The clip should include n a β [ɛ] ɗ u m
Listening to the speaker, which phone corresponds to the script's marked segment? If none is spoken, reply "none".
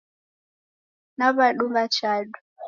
a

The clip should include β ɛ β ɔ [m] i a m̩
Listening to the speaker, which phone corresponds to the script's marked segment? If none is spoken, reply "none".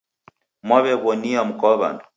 n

